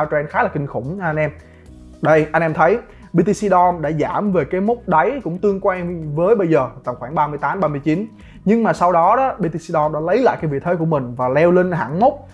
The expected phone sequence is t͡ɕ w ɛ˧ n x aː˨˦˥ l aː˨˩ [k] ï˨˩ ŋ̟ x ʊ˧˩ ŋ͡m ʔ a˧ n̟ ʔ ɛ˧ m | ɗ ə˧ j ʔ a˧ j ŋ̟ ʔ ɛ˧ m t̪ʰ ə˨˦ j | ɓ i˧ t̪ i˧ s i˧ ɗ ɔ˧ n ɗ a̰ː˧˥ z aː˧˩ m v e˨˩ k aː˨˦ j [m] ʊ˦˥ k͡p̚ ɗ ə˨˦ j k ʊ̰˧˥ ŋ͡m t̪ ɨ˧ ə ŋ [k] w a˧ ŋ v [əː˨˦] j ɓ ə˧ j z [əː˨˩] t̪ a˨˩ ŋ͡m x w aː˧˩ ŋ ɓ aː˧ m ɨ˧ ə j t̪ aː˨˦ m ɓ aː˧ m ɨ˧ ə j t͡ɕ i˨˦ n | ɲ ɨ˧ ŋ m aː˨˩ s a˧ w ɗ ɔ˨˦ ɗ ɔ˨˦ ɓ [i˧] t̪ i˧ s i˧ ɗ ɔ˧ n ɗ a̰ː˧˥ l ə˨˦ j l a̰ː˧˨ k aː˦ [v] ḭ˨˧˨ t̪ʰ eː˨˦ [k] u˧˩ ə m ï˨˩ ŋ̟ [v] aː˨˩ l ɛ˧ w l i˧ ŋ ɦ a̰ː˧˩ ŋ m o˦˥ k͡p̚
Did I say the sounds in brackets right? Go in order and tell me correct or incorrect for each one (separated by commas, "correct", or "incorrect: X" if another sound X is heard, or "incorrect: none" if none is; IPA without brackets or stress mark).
correct, correct, correct, correct, correct, correct, correct, correct, correct